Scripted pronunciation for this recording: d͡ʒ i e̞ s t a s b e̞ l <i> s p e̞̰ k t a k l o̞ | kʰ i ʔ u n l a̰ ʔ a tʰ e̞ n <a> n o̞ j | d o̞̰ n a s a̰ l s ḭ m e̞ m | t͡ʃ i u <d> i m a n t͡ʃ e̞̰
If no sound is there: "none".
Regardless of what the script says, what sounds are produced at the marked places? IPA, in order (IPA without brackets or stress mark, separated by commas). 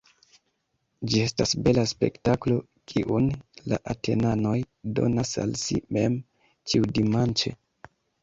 a, a, d